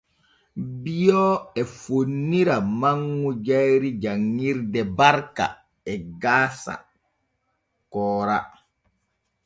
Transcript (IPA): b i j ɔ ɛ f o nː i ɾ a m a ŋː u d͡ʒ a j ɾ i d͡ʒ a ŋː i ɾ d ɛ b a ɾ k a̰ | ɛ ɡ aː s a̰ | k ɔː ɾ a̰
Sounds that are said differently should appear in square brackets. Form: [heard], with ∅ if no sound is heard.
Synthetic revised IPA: b i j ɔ ɛ f o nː i ɾ a m a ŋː u d͡ʒ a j ɾ i d͡ʒ a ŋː i ɾ d ɛ b a ɾ k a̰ | ɛ ɡ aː s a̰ | k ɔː ɾ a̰